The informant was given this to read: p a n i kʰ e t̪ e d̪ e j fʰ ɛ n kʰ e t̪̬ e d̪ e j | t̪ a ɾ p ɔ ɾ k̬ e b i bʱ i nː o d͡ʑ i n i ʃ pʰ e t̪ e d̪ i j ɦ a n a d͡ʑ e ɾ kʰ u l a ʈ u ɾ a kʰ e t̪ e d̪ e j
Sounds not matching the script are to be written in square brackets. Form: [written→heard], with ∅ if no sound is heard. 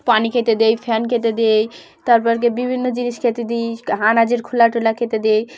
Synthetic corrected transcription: p a n i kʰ e t̪ e d̪ e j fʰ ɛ n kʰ e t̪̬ e d̪ e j | t̪ a ɾ p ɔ ɾ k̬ e b i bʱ i nː o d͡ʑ i n i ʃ [pʰ→kʰ] e t̪ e d̪ i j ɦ a n a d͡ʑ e ɾ kʰ u l a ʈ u [ɾ→l] a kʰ e t̪ e d̪ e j

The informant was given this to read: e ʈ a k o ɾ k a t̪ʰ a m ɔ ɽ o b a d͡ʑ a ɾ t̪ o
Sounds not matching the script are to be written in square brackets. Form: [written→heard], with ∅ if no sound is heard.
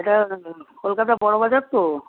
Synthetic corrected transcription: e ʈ a k o [ɾ→l] k a [t̪ʰ→t̪] a [m→b] ɔ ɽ o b a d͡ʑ a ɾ t̪ o

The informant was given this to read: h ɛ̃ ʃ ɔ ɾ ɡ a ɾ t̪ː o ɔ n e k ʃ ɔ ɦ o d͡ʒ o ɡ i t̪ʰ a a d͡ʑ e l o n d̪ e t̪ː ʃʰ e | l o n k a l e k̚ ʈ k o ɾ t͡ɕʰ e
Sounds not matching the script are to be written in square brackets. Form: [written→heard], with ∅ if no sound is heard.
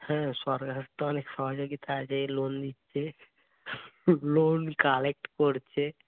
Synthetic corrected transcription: h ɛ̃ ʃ ɔ ɾ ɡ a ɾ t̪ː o ɔ n e k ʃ ɔ ɦ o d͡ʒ o ɡ i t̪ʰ a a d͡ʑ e l o n d̪ [e→i] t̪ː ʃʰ e | l o n k a l e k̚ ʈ k o ɾ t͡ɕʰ e

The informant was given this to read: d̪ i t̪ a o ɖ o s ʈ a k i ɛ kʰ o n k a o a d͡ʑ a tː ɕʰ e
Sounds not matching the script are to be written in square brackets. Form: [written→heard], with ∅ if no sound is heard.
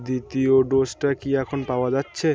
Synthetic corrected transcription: d̪ i t̪ [a→i] o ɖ o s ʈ a k i ɛ kʰ o n [k→p] a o a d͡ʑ a tː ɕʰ e

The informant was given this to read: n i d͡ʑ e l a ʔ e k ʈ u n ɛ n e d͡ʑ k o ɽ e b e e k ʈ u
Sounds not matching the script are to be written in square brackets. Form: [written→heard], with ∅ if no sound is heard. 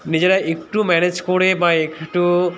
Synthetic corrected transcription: n i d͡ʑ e [l→ɾ] a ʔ e k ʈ u [n→m] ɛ n e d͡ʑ k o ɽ e b [e→a] e k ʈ u

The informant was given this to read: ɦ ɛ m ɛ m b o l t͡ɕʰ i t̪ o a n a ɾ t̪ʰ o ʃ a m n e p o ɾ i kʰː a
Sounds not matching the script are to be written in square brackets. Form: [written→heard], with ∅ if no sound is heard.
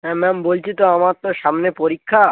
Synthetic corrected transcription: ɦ ɛ m ɛ m b o l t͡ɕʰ i t̪ o a [n→m] a ɾ [t̪ʰ→t̪] o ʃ a m n e p o ɾ i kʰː a

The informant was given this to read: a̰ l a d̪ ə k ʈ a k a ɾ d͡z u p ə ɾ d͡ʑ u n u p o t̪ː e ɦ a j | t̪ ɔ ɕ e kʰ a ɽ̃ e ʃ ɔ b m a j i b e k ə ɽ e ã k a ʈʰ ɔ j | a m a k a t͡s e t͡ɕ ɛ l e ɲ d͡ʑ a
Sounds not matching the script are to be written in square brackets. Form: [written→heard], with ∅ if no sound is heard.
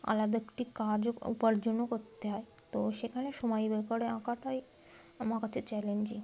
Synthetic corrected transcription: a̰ l a d̪ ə k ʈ [a→i] k a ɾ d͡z u p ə ɾ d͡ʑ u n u [p→k] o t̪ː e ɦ a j | t̪ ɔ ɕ e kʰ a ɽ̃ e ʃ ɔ [b→∅] m a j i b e k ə ɽ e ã k a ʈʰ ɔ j | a m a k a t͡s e t͡ɕ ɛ l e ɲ d͡ʑ [a→i]

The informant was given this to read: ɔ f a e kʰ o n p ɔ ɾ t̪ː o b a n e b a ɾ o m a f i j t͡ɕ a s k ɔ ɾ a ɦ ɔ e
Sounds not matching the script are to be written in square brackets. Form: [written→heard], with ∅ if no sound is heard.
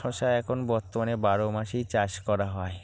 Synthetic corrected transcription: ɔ [f→ʃ] a [e→ɛ] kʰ o n [p→b] ɔ ɾ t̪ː o [b→m] a n e b a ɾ o m a [f→ʃ] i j t͡ɕ a [s→ʃ] k ɔ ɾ a ɦ ɔ e

